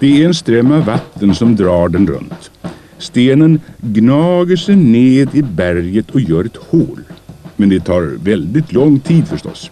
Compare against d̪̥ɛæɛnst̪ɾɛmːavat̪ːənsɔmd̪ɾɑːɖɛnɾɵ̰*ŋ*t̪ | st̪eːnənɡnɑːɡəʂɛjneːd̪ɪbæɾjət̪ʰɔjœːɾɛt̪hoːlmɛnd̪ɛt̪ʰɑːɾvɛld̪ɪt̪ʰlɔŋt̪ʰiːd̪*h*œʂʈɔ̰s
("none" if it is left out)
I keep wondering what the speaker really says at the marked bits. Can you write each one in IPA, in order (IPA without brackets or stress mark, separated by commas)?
n, f